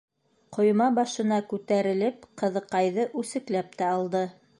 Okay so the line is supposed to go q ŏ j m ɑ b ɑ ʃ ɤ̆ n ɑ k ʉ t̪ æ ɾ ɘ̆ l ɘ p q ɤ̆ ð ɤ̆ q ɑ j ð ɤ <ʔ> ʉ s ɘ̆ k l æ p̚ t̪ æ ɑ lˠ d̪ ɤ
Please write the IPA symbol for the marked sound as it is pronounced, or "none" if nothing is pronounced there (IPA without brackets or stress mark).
ʔ